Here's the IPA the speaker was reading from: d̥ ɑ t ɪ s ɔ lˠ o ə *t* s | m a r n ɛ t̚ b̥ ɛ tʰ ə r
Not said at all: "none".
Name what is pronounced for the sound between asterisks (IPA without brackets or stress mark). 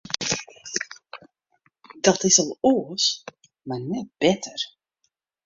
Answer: none